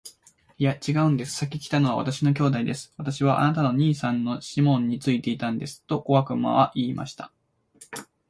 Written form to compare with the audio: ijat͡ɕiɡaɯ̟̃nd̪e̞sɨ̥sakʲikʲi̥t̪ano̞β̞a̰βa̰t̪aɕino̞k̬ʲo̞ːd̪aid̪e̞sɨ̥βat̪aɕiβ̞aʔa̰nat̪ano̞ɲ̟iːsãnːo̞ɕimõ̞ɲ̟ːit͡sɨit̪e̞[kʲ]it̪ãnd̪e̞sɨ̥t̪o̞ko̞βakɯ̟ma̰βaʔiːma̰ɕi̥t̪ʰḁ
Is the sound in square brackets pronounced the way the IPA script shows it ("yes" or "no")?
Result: no